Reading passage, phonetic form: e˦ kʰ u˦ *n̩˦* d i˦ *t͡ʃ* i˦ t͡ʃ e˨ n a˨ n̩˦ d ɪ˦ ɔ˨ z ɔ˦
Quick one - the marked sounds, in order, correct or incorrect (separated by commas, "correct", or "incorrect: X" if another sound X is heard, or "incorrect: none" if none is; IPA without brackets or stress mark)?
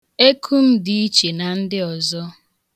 incorrect: m̩˦, incorrect: none